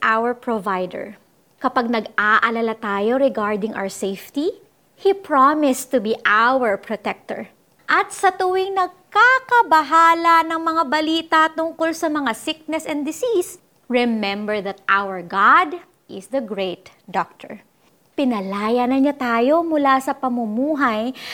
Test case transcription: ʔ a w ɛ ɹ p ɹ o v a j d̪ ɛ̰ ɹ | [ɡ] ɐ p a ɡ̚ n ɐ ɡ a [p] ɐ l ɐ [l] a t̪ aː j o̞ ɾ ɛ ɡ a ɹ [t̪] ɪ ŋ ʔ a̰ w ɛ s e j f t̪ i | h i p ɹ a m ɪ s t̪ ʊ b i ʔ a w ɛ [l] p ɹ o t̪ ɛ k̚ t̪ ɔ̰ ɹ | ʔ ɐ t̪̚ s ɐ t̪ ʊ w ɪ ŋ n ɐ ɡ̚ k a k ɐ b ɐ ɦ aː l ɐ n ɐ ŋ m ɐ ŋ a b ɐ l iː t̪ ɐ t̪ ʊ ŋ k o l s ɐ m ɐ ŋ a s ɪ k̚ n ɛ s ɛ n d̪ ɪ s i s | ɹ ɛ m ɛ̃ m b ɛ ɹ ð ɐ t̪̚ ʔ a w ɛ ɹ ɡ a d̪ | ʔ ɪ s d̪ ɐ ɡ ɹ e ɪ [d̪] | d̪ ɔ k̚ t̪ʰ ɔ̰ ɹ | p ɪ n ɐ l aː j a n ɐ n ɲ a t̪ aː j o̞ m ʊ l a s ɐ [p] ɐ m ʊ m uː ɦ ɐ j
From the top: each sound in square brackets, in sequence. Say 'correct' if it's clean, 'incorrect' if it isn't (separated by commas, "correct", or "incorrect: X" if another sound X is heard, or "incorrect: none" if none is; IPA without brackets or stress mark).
incorrect: k, incorrect: ʔ, correct, incorrect: d̪, incorrect: ɹ, incorrect: t̪, correct